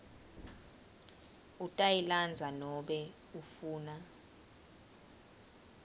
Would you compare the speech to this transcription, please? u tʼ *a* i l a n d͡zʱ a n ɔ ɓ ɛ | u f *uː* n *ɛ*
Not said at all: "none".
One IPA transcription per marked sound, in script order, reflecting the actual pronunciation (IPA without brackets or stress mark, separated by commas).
a, uː, a